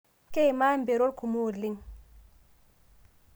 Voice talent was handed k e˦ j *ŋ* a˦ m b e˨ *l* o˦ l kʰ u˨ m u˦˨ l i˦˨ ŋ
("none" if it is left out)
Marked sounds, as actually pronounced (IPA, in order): m, ɾ

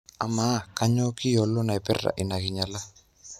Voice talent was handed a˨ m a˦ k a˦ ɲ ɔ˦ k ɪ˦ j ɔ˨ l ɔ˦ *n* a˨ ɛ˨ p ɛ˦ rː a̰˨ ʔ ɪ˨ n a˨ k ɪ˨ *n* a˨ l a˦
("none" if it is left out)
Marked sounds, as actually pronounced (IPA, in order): n, ɲ

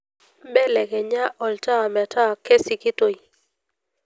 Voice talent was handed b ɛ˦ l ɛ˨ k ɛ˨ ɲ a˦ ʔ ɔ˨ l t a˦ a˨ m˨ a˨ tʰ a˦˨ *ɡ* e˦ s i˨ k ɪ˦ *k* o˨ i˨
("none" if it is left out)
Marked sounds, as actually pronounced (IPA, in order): k, t

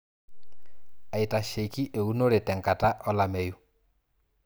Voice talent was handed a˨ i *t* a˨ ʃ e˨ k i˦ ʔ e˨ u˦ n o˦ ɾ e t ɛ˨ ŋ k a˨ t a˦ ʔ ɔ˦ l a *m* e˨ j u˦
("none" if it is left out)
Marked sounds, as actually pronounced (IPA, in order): t, m

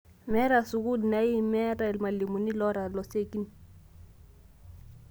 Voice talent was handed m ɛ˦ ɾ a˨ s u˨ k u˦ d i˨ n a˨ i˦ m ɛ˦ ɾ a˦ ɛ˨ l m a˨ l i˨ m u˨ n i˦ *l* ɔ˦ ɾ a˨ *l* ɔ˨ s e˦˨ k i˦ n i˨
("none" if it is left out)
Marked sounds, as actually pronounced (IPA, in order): l, l

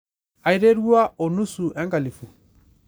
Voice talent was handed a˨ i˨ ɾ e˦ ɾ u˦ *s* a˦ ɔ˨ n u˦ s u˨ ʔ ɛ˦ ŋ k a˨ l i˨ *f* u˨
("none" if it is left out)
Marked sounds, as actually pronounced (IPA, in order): none, f

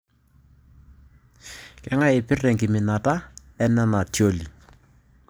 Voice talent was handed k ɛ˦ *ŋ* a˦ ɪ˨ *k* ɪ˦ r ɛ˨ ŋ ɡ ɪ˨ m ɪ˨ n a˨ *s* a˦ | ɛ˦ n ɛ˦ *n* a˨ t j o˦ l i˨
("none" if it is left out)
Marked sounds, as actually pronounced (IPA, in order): ŋ, p, t, n

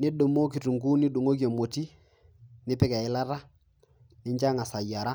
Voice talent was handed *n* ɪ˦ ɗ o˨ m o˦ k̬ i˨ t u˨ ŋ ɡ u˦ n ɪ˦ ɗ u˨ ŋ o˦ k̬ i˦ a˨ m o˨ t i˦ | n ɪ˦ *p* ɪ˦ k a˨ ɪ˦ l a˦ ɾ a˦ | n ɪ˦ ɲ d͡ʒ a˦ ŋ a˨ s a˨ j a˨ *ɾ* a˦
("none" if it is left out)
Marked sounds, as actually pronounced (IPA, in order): n, p, ɾ

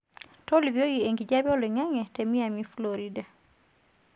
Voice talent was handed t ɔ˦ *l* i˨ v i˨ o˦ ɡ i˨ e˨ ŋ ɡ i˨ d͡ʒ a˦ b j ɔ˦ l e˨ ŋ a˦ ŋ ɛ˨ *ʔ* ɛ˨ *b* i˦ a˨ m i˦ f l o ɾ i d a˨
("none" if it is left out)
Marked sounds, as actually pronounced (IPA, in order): l, t, m

